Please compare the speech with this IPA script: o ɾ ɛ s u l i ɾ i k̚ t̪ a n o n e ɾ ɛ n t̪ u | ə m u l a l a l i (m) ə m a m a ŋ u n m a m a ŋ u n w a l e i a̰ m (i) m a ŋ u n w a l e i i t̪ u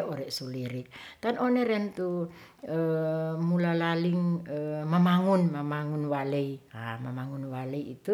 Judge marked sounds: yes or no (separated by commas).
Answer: no, no